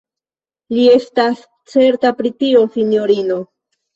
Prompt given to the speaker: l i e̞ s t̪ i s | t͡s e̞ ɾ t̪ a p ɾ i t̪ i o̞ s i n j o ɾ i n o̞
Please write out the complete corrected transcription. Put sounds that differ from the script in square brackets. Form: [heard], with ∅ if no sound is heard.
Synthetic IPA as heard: l i e̞ s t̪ [a] s | t͡s e̞ ɾ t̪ a p ɾ i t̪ i o̞ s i n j o ɾ i n o̞